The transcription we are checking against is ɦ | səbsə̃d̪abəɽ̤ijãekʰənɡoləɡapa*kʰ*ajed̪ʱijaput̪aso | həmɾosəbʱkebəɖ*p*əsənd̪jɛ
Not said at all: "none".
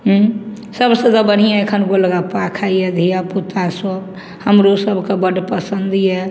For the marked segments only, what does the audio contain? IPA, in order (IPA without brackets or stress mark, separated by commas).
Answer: kʰ, p